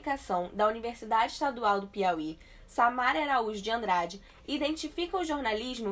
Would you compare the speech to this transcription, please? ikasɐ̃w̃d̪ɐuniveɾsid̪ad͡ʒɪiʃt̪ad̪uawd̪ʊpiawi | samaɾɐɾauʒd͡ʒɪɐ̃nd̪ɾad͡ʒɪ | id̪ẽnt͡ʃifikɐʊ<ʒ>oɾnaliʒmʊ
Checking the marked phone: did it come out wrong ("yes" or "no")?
no